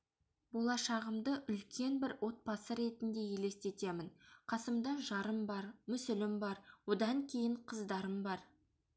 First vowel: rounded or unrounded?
rounded